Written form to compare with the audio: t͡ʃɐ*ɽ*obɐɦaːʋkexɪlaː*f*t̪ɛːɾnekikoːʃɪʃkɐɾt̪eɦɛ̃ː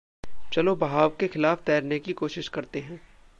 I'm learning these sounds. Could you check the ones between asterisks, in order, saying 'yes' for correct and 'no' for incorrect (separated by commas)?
no, yes